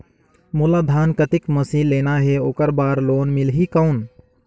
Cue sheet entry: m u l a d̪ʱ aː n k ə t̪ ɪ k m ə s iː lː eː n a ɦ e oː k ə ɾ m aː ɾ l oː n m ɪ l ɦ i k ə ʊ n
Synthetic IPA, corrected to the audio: m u l a d̪ʱ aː n k ə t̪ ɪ k m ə s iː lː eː n a ɦ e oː k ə ɾ b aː ɾ l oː n m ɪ l ɦ i k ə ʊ n